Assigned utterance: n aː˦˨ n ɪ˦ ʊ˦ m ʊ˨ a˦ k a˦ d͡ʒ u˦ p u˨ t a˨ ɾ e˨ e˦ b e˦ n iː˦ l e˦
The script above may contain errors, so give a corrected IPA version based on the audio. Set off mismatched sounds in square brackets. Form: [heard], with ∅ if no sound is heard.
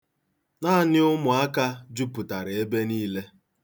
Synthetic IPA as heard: n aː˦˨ n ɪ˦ ʊ˦ m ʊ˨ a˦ k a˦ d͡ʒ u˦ p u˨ t a˨ ɾ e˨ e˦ b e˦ n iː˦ l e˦